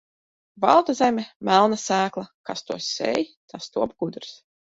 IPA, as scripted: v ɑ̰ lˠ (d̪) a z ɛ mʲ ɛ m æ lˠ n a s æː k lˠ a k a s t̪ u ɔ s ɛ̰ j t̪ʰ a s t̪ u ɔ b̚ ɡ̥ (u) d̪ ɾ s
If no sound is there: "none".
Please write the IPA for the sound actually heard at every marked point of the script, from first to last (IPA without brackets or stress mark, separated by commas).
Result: t̪, u